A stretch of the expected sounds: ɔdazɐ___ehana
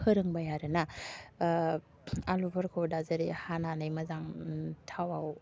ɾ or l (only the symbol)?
ɾ